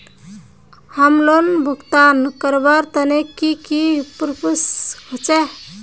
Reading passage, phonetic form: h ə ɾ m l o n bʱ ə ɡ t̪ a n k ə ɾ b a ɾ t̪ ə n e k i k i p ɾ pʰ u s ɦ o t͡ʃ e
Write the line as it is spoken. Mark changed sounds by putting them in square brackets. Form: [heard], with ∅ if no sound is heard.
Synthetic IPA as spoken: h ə [∅] m l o n bʱ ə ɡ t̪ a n k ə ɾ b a ɾ t̪ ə n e k i k i p ɾ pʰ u s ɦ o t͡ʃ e